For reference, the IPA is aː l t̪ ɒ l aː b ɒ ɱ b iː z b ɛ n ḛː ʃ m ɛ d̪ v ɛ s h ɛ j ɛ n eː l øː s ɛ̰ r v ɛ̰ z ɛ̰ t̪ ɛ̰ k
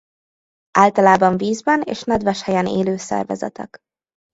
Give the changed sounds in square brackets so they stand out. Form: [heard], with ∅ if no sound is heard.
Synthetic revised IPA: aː l t̪ ɒ l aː b ɒ ɱ [v] iː z b ɛ n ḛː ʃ [n] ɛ d̪ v ɛ [ʃ] h ɛ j ɛ n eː l øː s ɛ̰ r v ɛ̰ z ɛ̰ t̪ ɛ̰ k